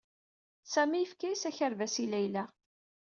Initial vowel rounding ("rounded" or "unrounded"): unrounded